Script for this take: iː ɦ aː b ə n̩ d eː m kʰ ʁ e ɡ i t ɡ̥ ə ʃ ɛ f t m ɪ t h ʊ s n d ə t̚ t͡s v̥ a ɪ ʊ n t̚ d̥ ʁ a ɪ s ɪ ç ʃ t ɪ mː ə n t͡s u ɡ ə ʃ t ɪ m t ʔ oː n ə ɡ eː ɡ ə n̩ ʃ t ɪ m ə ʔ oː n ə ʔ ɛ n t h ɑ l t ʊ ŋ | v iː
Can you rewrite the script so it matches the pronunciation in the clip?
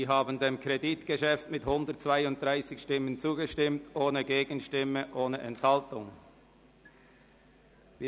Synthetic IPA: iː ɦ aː b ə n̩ d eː m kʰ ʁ e d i t ɡ̥ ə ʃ ɛ f t m ɪ t h ʊ n d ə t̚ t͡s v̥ a ɪ ʊ n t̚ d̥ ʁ a ɪ s ɪ ç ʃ t ɪ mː ə n t͡s uː ɡ ə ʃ t ɪ m t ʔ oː n ə ɡ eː ɡ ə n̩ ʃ t ɪ m ə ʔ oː n ə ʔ ɛ n t h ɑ l t ʊ ŋ | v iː